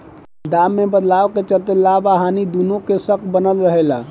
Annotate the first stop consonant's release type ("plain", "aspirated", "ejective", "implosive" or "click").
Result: plain